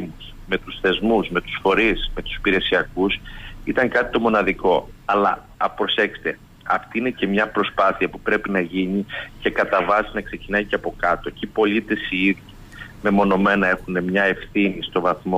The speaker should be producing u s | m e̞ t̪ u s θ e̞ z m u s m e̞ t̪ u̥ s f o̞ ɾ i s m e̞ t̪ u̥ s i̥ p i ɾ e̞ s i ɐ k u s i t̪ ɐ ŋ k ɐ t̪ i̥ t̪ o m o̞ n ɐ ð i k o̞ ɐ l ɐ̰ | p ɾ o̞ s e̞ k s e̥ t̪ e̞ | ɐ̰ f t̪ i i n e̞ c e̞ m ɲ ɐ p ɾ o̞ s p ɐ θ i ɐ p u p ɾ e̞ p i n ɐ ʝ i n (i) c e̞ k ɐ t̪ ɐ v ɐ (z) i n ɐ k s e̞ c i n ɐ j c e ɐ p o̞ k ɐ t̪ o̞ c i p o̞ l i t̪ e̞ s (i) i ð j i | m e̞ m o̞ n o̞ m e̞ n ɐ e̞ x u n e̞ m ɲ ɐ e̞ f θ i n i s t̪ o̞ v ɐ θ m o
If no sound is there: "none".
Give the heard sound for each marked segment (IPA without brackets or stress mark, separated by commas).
i, s, i